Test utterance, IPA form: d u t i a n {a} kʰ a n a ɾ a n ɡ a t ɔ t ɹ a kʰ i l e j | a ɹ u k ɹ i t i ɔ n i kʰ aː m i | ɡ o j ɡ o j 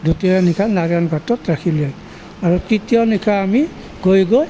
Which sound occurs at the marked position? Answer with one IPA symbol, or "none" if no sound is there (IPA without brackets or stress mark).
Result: i